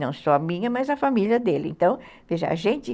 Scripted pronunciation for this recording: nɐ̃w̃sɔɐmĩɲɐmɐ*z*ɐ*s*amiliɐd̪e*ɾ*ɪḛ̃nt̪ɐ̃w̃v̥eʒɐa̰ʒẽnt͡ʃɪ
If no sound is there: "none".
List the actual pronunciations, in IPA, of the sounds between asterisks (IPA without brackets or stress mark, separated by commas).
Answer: z, f, l